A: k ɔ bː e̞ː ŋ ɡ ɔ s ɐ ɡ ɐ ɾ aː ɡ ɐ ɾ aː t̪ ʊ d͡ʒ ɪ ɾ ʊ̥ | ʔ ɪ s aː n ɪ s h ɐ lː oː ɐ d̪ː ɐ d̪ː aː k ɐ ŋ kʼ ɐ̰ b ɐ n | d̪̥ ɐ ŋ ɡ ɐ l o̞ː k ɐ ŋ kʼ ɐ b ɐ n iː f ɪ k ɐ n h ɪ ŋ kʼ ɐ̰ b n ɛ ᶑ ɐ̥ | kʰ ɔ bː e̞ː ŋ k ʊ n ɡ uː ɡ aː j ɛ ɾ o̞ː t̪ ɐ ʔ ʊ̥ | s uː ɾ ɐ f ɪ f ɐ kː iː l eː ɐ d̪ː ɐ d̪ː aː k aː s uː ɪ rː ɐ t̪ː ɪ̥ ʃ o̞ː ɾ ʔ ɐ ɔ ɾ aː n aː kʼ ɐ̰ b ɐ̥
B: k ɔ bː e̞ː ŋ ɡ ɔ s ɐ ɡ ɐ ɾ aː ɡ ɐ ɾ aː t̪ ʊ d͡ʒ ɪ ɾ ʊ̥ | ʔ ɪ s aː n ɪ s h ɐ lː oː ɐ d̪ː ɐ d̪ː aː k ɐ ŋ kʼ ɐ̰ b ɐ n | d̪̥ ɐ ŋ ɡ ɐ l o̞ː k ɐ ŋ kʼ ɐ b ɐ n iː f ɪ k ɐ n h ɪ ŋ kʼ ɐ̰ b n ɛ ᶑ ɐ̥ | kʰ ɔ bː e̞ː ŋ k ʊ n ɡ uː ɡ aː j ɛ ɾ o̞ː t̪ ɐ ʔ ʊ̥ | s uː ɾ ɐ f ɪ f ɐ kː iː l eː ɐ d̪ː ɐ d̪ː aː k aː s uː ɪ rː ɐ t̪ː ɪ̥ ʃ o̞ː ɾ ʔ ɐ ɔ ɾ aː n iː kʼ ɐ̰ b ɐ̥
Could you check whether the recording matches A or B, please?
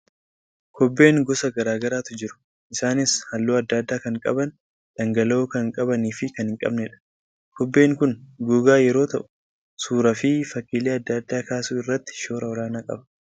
A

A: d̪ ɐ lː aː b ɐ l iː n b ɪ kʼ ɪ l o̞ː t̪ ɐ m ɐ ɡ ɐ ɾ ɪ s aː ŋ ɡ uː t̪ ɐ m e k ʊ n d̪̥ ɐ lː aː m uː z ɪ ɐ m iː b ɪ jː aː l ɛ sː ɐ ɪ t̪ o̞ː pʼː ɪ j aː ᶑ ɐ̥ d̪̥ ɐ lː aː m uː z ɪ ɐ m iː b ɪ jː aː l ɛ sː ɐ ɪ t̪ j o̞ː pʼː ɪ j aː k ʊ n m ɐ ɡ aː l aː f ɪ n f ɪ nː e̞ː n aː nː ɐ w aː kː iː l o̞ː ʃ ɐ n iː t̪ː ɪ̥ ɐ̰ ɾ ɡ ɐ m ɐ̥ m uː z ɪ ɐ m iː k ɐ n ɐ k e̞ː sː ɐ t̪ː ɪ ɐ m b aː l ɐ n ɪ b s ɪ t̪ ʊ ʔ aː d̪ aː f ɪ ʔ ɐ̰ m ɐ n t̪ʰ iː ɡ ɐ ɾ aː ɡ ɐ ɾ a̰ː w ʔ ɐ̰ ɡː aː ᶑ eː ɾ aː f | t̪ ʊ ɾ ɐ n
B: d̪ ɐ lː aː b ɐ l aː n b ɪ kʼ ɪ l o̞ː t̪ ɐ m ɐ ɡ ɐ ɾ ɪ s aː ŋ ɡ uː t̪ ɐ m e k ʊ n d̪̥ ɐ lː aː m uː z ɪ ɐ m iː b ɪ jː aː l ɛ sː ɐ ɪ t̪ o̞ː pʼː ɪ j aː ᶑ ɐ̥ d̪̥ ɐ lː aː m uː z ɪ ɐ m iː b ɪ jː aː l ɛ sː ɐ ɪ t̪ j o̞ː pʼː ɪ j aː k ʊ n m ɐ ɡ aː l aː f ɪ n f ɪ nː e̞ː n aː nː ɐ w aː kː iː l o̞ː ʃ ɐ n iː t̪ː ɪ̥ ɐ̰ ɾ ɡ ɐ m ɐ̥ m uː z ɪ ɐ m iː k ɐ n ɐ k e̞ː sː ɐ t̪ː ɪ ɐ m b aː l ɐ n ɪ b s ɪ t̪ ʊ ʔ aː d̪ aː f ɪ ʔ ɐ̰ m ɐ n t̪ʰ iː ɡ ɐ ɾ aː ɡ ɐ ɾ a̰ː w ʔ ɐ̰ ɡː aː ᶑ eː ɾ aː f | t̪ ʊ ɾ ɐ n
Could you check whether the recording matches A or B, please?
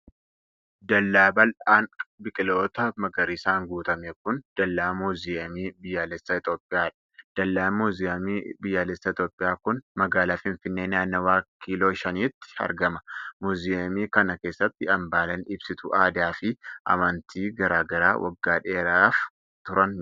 B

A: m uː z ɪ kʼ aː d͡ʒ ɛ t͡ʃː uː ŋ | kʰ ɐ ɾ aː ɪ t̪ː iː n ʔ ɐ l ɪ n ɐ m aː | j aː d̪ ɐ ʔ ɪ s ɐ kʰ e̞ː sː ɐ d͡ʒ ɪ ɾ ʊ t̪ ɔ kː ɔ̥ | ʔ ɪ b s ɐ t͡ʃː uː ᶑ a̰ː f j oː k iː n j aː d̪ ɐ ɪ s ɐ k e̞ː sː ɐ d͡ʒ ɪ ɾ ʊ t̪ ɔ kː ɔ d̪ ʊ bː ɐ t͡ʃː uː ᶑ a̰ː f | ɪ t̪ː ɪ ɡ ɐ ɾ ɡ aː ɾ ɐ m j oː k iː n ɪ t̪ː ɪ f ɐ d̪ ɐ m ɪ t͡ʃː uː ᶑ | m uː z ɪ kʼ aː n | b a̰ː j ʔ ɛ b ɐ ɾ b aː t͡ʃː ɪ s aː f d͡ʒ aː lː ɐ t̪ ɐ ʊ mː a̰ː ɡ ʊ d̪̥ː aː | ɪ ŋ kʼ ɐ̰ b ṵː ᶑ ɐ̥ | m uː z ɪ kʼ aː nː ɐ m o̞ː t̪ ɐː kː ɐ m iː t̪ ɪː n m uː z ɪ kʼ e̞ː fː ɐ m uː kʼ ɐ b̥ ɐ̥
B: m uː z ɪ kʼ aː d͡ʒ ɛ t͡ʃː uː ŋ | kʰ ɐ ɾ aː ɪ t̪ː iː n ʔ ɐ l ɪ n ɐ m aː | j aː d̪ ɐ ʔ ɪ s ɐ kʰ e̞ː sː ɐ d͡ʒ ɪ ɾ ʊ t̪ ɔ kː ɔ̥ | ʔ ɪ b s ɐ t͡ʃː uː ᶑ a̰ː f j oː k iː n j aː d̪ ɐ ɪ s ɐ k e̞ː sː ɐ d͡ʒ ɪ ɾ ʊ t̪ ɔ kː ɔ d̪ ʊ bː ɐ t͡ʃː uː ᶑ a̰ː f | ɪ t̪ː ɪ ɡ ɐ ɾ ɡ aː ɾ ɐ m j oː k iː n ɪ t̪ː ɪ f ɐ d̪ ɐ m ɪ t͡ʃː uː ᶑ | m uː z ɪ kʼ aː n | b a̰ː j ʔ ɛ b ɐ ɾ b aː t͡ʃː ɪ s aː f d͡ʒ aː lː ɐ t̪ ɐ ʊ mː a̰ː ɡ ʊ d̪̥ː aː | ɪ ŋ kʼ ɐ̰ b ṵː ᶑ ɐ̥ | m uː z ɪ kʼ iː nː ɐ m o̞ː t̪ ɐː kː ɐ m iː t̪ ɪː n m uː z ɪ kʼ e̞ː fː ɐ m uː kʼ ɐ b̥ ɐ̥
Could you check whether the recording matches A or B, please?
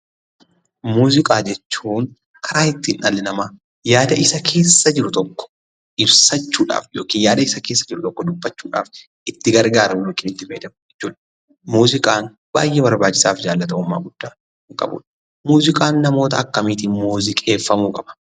A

